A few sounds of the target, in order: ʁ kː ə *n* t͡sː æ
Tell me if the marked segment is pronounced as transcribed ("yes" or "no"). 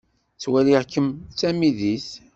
no